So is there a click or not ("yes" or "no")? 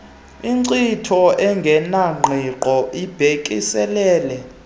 yes